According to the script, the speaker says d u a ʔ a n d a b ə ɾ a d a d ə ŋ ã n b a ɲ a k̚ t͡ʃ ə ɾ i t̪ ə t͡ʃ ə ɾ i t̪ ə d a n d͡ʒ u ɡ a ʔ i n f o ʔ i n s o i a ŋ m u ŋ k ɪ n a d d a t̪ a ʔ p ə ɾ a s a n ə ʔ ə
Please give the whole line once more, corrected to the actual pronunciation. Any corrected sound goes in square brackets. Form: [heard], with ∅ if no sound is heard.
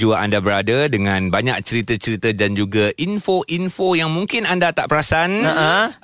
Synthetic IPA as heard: [d͡ʒ] u a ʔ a n d a b ə ɾ a d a d ə ŋ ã n b a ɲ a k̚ t͡ʃ ə ɾ i t̪ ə t͡ʃ ə ɾ i t̪ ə d a n d͡ʒ u ɡ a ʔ i n f o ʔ i n [f] o [j] a ŋ m u ŋ k ɪ n a [n] d a t̪ a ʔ p ə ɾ a s a n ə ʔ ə